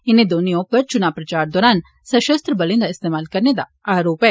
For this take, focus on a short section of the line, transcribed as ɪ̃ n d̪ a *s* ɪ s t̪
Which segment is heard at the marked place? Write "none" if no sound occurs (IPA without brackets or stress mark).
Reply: none